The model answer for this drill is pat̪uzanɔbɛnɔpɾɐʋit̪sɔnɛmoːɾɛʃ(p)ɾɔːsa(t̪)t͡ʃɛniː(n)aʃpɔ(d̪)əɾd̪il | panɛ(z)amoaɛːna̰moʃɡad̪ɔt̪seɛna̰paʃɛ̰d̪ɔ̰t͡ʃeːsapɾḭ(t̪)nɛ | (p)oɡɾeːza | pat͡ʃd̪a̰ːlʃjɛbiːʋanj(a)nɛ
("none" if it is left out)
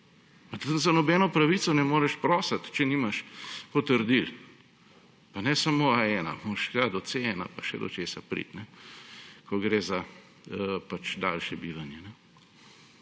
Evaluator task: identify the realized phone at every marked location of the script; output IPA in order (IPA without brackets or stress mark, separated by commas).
p, t̪, m, t̪, s, t̪, k, ɛ